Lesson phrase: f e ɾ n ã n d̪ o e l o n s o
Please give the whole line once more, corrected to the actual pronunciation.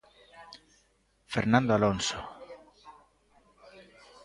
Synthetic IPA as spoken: f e ɾ n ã n d̪ o a l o n s o